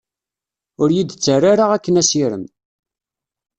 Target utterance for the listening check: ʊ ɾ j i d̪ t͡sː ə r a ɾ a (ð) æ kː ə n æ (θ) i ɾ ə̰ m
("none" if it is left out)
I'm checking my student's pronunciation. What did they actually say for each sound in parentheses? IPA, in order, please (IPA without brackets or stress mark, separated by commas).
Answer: ʁ, s